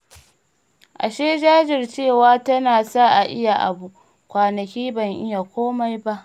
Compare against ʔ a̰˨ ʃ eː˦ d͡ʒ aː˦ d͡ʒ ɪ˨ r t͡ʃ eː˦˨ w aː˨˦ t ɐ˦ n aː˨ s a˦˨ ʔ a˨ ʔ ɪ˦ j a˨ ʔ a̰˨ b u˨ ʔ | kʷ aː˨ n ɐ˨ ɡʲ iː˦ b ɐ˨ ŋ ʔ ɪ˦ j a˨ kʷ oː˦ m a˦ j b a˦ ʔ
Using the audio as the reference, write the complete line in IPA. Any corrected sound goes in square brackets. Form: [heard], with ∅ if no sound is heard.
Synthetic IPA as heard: ʔ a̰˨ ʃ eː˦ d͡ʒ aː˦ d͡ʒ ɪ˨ r t͡ʃ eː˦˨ w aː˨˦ t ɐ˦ n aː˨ s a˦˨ ʔ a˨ ʔ ɪ˦ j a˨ ʔ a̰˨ b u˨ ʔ | kʷ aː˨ n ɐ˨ [kʲ] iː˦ b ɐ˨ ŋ ʔ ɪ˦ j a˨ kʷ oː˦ m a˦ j b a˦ ʔ